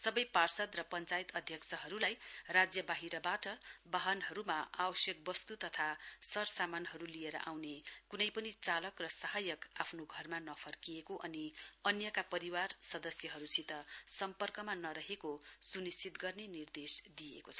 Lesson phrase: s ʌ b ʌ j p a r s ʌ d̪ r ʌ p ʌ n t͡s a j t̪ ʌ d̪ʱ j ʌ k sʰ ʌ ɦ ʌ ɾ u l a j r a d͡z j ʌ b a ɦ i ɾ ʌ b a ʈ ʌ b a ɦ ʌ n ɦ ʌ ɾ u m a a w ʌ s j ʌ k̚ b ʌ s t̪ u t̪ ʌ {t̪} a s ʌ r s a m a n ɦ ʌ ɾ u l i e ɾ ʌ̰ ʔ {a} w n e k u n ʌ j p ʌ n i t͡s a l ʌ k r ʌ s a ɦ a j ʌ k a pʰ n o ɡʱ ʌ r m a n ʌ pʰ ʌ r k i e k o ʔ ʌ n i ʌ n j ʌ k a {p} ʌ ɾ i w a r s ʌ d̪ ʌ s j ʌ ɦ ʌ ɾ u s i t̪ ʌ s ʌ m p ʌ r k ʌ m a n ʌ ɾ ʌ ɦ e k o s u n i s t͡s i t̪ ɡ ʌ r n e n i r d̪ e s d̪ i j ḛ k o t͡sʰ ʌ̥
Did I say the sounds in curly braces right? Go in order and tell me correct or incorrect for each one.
incorrect, correct, correct

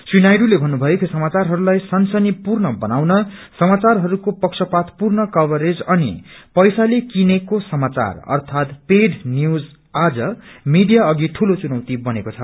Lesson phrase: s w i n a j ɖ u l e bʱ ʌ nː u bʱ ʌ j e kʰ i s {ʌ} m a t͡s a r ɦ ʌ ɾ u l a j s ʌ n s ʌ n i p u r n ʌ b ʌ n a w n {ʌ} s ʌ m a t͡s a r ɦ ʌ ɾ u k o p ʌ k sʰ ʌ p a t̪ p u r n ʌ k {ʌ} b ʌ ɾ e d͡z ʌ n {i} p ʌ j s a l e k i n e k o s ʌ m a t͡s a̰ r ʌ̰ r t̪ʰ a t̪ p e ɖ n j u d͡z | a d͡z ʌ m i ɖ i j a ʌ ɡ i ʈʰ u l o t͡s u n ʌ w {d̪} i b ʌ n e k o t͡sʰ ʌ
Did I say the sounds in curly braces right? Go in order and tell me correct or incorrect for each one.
correct, correct, correct, correct, incorrect

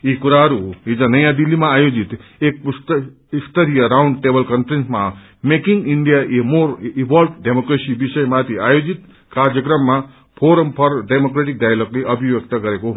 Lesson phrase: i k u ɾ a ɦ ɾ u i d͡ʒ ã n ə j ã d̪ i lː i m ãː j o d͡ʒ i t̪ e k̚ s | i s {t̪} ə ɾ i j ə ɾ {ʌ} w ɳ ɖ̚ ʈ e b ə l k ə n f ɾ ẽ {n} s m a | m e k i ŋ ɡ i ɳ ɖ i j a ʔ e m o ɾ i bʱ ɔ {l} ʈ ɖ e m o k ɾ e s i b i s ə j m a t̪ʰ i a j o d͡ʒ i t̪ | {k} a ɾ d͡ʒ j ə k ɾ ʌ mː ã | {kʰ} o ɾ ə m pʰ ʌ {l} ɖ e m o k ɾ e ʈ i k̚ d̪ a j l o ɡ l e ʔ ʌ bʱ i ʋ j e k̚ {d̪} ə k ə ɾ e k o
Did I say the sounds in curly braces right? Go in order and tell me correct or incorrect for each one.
correct, incorrect, correct, correct, correct, incorrect, incorrect, incorrect

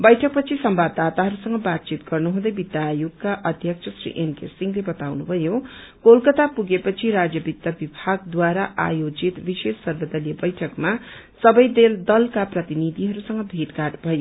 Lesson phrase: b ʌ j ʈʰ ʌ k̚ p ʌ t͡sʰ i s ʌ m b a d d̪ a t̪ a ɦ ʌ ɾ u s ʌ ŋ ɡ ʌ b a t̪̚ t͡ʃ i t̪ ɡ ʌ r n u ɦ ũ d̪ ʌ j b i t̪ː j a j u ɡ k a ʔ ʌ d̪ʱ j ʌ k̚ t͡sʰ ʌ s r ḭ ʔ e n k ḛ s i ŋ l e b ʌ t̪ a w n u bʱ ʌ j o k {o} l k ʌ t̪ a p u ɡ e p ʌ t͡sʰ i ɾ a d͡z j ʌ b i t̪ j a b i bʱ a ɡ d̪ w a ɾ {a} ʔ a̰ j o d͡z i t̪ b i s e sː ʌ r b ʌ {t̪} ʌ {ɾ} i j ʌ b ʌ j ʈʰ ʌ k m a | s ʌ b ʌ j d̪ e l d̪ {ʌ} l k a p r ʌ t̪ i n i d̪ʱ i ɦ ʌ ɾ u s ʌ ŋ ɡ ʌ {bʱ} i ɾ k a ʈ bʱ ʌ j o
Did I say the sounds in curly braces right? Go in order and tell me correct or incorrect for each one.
correct, correct, incorrect, incorrect, correct, correct

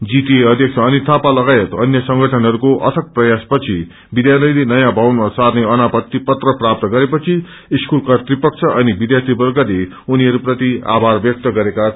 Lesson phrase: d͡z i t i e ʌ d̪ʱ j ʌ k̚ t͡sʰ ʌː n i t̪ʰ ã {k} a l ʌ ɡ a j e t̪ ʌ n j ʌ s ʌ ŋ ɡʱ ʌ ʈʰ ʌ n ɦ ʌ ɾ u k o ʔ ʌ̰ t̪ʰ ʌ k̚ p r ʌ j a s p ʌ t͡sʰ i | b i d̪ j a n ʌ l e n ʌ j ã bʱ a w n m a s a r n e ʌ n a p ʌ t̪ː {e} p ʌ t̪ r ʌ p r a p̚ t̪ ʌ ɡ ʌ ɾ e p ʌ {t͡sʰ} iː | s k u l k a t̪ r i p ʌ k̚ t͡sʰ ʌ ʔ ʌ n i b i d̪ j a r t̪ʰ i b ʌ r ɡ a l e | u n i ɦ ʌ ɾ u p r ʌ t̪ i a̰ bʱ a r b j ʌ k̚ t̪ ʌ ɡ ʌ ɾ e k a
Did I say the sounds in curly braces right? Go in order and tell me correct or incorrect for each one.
incorrect, incorrect, correct

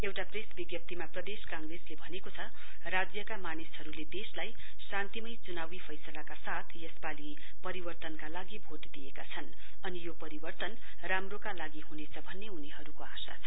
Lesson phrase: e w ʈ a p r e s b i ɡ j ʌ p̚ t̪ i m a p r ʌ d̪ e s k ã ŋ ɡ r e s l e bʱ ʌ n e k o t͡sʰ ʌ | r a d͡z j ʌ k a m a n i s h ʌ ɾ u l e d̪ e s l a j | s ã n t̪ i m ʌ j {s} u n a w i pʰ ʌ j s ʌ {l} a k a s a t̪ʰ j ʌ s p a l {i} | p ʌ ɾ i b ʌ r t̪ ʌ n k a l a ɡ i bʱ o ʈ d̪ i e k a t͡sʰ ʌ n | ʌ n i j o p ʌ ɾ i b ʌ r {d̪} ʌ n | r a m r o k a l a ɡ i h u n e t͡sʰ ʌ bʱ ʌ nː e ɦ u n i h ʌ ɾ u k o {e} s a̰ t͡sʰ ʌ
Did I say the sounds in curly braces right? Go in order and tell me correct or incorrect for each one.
incorrect, correct, correct, incorrect, incorrect

